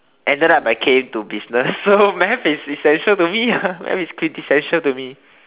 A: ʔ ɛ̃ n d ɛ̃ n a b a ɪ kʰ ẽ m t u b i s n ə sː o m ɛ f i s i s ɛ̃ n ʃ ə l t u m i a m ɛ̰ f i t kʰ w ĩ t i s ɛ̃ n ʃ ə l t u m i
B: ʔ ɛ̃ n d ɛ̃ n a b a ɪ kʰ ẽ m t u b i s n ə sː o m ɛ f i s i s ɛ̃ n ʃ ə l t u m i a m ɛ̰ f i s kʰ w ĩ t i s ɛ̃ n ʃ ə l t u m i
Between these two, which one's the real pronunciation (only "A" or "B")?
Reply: B